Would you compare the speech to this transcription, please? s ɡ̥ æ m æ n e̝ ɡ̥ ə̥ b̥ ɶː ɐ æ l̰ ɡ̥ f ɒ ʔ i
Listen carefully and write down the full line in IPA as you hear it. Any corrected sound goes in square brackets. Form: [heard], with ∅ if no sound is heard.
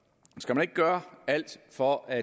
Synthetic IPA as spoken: s ɡ̥ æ m æ n e̝ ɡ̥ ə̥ [ɡ̥] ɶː ɐ æ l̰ [d̥] f ɒ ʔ [æ]